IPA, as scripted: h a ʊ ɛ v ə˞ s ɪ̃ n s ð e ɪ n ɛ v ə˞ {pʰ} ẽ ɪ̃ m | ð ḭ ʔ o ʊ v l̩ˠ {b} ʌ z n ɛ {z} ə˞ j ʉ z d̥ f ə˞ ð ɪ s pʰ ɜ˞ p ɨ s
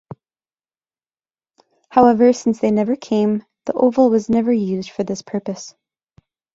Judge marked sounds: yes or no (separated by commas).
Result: no, no, no